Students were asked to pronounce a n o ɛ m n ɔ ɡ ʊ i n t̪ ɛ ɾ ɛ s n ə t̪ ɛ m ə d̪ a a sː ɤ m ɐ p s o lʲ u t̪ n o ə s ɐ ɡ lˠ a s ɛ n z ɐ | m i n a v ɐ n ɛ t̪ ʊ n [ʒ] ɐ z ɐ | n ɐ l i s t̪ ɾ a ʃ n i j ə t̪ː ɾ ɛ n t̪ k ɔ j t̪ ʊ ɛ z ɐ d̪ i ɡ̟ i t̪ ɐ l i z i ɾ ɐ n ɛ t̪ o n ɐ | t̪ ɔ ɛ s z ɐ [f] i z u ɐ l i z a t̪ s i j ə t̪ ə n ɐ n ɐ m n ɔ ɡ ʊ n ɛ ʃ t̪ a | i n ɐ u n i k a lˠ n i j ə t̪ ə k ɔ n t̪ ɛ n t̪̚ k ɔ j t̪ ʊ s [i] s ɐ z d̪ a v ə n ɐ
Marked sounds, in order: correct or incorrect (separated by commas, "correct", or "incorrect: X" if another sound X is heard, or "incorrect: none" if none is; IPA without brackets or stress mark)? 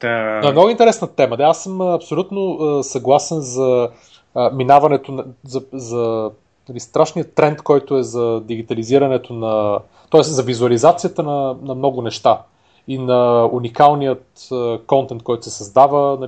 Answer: incorrect: z, incorrect: v, incorrect: ɛ